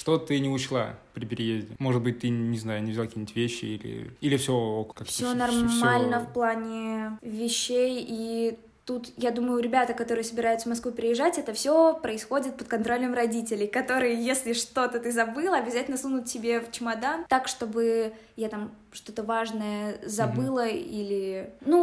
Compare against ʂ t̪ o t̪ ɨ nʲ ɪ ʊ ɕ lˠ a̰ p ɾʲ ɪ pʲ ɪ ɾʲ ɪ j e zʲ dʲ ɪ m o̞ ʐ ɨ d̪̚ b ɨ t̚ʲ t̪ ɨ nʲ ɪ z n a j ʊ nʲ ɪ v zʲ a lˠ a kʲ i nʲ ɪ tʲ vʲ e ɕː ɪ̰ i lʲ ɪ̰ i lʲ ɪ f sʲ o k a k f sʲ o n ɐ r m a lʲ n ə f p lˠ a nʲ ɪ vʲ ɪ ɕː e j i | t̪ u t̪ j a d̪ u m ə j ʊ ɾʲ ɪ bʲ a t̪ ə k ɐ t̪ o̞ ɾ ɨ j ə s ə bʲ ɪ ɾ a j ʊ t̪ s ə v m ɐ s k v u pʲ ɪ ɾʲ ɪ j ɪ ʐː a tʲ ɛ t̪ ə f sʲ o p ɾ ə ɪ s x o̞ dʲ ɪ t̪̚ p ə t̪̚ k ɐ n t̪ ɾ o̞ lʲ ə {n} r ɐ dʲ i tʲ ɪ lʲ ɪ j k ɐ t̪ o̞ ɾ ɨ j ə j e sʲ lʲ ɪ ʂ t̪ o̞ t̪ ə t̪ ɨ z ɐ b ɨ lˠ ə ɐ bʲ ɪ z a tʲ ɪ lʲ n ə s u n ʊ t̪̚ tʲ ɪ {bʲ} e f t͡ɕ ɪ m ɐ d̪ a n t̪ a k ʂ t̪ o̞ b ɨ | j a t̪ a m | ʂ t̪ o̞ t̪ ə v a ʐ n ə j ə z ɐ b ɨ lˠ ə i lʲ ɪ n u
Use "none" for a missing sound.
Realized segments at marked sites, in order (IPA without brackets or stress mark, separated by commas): m, bʲ